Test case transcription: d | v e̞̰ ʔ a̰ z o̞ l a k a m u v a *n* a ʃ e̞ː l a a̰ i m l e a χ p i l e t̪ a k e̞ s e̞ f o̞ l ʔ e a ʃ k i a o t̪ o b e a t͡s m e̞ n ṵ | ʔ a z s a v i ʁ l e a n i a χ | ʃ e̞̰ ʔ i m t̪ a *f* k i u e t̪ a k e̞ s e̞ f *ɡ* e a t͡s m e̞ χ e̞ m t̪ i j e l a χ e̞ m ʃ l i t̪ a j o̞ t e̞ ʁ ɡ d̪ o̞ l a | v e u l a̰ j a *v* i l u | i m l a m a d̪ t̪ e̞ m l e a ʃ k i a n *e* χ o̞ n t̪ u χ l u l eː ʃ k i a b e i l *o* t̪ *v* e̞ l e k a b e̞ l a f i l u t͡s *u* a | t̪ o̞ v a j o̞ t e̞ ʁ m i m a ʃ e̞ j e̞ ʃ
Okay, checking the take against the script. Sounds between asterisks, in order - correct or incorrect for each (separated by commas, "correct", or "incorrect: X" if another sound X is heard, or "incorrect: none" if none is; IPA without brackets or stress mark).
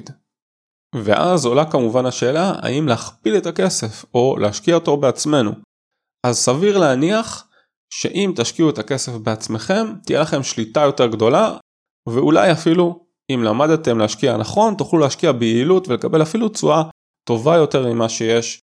correct, incorrect: ʃ, incorrect: b, incorrect: f, incorrect: a, incorrect: u, correct, correct